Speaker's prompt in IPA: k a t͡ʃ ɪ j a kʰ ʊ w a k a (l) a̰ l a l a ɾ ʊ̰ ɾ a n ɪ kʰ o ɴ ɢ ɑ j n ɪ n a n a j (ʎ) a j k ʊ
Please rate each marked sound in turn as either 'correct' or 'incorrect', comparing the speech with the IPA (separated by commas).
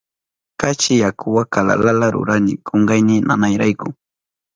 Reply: correct, incorrect